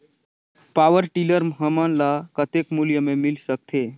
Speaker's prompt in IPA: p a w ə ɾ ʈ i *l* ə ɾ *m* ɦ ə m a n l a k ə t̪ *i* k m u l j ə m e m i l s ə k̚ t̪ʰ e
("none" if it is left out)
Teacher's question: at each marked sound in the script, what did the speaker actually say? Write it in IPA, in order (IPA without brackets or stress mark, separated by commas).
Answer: l, m, e